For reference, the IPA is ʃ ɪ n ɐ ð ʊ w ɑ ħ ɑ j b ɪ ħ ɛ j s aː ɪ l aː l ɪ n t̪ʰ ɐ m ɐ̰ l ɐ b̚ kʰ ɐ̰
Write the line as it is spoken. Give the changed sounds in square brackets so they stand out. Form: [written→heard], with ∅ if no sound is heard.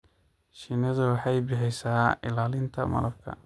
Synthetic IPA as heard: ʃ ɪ n ɐ ð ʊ w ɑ ħ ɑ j b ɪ ħ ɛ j s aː ɪ l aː l ɪ n t̪ʰ ɐ m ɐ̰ l ɐ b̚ kʰ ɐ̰